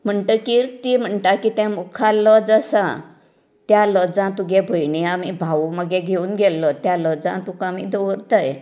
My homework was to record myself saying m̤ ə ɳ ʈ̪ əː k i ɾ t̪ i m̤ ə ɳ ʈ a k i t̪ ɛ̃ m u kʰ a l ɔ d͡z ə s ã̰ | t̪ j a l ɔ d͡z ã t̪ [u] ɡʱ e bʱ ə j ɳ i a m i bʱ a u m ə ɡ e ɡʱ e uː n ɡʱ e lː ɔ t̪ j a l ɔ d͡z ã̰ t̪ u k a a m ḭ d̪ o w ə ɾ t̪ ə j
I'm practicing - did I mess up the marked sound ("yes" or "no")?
no